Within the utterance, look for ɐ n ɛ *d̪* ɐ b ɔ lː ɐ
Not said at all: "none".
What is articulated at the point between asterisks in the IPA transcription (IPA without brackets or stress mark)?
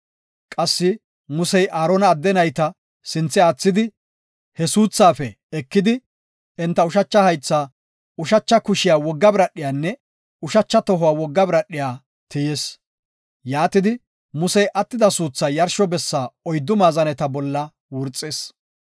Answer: t̪